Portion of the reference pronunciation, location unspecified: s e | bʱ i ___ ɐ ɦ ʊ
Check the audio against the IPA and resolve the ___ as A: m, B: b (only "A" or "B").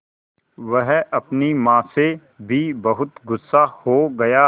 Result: B